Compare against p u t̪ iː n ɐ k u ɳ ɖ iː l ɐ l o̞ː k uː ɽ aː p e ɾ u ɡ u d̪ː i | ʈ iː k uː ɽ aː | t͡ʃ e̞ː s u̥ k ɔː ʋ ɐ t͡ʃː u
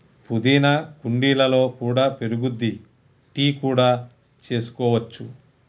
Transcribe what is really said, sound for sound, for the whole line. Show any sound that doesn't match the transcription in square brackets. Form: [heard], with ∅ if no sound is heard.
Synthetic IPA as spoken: p u [d̪] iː n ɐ k u ɳ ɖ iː l ɐ l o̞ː k uː ɽ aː p e ɾ u ɡ u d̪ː i | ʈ iː k uː ɽ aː | t͡ʃ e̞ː s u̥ k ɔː ʋ ɐ t͡ʃː u